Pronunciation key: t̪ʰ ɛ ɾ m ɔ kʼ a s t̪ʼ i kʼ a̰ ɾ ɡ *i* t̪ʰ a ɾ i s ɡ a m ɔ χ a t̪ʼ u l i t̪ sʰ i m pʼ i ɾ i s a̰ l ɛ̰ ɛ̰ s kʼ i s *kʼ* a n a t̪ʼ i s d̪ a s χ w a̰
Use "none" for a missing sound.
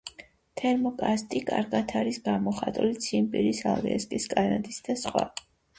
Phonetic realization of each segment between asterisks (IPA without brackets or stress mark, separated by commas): a, kʼ